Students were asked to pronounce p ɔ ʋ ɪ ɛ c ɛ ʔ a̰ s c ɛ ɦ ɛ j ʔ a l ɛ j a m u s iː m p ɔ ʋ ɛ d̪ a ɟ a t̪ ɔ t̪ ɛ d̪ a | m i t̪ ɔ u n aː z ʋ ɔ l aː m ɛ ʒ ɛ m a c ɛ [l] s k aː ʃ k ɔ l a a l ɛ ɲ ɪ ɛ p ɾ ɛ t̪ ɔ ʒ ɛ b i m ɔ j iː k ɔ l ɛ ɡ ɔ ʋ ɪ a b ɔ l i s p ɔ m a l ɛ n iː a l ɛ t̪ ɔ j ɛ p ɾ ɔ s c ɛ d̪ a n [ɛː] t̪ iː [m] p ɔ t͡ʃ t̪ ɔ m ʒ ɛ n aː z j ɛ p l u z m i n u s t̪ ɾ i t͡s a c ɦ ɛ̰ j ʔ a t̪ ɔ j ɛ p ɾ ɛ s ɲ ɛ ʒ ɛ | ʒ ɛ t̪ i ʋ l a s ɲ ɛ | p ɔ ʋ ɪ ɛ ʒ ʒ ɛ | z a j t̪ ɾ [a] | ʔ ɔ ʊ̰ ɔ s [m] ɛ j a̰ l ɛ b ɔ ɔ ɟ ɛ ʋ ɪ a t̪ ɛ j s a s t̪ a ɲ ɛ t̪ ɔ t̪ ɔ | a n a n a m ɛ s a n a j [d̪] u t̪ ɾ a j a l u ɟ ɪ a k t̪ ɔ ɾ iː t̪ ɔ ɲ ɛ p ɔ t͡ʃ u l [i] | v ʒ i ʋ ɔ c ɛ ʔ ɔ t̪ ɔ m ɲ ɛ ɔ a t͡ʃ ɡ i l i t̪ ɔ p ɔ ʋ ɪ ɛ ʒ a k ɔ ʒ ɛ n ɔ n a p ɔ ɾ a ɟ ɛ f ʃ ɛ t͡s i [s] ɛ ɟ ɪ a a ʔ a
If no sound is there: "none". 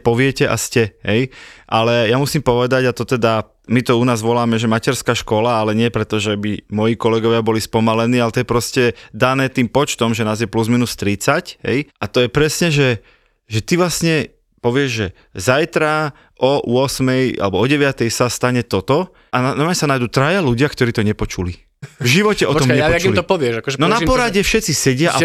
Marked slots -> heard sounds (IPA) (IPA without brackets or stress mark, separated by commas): ɾ, ɛː, m, a, m, d̪, i, s